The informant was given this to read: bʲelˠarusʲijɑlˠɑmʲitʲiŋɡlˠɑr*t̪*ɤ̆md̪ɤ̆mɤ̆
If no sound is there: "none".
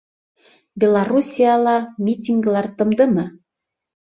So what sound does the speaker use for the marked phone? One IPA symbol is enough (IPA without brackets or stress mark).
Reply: t̪